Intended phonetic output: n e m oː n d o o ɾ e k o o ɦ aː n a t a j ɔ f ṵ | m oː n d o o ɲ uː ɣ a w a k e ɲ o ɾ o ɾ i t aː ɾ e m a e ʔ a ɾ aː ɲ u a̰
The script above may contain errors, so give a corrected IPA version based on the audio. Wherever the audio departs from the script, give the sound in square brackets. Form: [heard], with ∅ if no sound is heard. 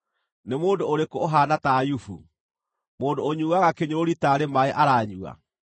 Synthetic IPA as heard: n e m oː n d o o ɾ e k o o ɦ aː n a t a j [u] f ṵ | m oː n d o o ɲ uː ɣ a [ɣ] a k e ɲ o ɾ o ɾ i t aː ɾ e m a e ʔ a ɾ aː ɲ u a̰